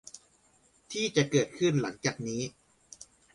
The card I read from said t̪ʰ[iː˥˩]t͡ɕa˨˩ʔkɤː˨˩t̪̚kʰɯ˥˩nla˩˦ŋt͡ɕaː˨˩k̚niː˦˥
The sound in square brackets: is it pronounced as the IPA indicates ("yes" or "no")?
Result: yes